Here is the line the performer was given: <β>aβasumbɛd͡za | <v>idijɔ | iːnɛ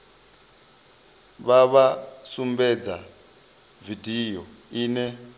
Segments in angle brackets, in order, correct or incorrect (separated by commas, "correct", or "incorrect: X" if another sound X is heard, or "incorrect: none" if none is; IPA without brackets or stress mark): correct, correct